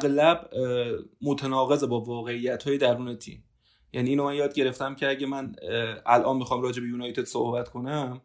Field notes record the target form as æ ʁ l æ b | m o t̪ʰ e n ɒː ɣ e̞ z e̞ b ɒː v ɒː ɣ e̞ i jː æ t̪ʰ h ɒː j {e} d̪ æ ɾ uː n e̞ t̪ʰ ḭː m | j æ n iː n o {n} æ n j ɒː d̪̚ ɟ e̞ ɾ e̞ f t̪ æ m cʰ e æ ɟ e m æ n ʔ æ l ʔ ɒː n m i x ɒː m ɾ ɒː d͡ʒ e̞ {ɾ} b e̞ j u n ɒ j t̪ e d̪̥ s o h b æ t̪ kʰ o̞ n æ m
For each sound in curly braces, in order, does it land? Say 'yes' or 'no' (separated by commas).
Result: yes, no, no